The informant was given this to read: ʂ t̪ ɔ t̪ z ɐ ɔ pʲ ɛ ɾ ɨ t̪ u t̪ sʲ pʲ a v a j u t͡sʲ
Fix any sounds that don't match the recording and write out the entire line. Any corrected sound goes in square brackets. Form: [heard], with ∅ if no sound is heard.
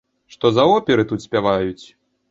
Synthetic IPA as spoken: ʂ t̪ ɔ [∅] z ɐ ɔ pʲ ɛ ɾ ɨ t̪ u t̪ sʲ pʲ a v a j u t͡sʲ